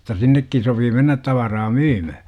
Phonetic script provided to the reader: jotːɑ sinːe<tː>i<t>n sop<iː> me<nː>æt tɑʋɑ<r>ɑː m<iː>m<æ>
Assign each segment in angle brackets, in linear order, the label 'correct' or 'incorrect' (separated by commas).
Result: incorrect, incorrect, correct, correct, correct, incorrect, correct